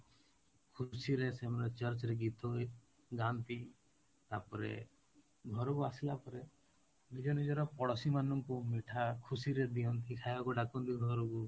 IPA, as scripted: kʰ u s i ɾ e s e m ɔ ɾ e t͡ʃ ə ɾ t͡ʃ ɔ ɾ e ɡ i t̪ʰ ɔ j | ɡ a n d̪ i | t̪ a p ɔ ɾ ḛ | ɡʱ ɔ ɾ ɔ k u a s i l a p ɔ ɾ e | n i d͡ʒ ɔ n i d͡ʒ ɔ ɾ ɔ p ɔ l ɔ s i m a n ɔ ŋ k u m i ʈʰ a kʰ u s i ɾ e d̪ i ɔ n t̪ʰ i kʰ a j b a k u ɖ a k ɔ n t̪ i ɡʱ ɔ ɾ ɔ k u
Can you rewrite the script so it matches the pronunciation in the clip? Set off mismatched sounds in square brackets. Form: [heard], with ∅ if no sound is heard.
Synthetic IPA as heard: kʰ u s i ɾ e s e m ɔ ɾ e t͡ʃ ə ɾ t͡ʃ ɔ ɾ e ɡ i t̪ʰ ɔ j | ɡ a n [t̪] i | t̪ a p ɔ ɾ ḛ | ɡʱ ɔ ɾ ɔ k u a s i l a p ɔ ɾ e | n i d͡ʒ ɔ n i d͡ʒ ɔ ɾ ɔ p ɔ [ɽ] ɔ s i m a n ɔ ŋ k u m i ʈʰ a kʰ u s i ɾ e d̪ i ɔ n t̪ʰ i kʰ a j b a k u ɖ a k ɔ n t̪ i ɡʱ ɔ ɾ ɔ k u